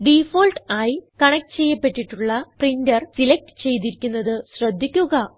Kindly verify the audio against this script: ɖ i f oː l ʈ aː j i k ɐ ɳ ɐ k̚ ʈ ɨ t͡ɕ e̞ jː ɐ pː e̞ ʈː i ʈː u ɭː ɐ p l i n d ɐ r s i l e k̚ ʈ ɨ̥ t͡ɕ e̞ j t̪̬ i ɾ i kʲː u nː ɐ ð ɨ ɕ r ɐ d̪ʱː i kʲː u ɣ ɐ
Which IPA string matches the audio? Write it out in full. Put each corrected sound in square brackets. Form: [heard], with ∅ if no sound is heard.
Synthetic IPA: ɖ i f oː l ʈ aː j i k ɐ ɳ ɐ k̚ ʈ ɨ t͡ɕ e̞ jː ɐ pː e̞ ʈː i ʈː u ɭː ɐ p [r] i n d ɐ r s i l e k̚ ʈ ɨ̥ t͡ɕ e̞ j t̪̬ i ɾ i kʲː u nː ɐ ð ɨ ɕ r ɐ d̪ʱː i kʲː u ɣ ɐ